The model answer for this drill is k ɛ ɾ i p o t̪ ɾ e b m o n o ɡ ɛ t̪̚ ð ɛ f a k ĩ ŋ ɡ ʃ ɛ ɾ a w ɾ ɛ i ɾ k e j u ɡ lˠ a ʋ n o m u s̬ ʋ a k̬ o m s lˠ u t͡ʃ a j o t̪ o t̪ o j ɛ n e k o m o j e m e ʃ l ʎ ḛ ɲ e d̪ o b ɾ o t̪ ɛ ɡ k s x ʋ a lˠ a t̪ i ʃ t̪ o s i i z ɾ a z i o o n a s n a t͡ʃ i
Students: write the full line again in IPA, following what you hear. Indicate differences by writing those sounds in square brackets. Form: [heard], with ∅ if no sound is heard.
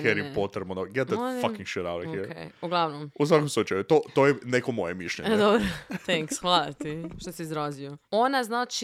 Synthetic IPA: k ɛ ɾ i p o t̪ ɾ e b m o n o ɡ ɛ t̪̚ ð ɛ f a k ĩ ŋ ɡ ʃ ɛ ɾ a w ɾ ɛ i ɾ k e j u ɡ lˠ a ʋ n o m u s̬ ʋ a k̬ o m s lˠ u t͡ʃ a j [u] t̪ o t̪ o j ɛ n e k o m o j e m [i] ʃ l ʎ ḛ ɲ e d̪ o b ɾ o t̪ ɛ [ŋ] k s x ʋ a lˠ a t̪ i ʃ t̪ o s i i z ɾ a z i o o n a [z] n a t͡ʃ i